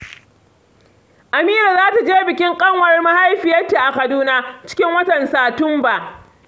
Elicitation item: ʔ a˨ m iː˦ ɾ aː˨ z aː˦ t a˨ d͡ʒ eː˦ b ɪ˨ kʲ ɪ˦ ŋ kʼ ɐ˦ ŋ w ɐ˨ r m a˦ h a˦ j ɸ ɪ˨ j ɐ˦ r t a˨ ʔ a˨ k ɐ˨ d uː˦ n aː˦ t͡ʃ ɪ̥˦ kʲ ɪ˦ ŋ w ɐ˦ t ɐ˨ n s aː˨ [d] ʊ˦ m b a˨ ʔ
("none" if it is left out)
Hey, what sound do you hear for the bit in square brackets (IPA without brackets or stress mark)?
t